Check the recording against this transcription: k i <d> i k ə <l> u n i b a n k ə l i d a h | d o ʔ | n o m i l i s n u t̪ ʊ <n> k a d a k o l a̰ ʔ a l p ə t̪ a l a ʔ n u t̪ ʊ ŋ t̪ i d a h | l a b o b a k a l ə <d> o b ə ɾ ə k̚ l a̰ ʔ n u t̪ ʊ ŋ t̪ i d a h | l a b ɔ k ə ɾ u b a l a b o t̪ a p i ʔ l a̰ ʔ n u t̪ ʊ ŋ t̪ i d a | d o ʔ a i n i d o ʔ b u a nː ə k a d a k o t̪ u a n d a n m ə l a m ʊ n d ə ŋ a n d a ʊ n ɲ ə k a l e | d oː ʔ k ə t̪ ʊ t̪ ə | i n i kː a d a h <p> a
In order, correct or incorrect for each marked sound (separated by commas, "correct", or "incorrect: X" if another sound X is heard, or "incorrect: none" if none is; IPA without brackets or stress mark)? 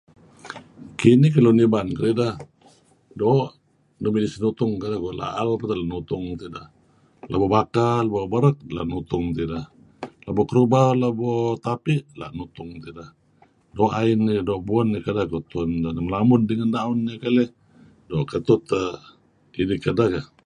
incorrect: n, correct, incorrect: ŋ, incorrect: b, incorrect: k